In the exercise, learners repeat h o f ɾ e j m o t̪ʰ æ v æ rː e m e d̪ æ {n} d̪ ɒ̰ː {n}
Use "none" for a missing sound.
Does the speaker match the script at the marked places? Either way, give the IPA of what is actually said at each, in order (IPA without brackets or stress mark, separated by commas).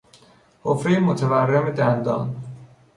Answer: n, n